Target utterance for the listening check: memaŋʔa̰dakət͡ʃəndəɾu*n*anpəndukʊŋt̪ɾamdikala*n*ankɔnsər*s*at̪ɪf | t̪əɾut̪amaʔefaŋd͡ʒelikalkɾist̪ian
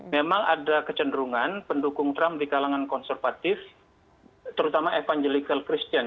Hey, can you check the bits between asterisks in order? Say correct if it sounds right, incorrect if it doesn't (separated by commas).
incorrect, incorrect, incorrect